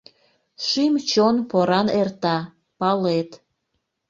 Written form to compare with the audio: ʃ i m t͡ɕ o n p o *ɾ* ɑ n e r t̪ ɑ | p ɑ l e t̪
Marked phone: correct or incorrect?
correct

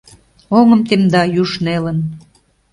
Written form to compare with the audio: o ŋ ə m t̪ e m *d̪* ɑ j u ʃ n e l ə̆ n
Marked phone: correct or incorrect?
correct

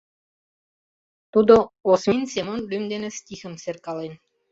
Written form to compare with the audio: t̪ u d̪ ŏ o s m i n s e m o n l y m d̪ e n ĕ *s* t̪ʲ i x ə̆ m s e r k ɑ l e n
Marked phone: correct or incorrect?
correct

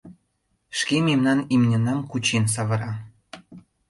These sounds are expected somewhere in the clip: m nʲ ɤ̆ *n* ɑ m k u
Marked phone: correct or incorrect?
correct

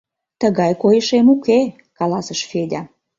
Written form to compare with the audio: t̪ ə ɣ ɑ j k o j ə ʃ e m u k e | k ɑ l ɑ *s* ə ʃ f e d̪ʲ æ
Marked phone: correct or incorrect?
correct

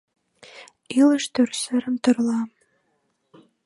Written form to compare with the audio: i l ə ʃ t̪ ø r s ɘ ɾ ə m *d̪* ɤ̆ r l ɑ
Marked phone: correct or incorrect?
incorrect: t̪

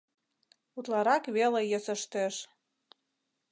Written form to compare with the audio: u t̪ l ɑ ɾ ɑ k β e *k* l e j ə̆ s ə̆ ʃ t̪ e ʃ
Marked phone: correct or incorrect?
incorrect: none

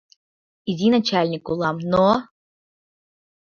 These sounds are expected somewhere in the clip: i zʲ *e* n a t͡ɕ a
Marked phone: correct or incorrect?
incorrect: i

